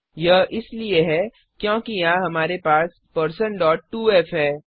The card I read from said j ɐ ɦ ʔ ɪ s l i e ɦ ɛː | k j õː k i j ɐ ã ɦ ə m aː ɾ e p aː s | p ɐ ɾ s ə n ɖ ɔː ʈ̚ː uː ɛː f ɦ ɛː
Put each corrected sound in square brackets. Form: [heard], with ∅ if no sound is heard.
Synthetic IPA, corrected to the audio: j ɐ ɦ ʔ ɪ s l i e ɦ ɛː | k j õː k i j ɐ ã ɦ [ɐ] m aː ɾ e p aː s | p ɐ ɾ s ə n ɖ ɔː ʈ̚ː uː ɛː f ɦ ɛː